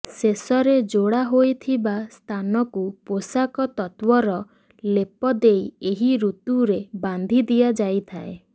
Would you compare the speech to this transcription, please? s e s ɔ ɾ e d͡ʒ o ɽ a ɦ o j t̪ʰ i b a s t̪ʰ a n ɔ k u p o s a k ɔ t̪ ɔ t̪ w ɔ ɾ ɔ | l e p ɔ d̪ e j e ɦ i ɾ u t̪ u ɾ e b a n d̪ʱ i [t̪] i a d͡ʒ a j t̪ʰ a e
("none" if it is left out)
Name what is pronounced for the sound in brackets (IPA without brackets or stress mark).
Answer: d̪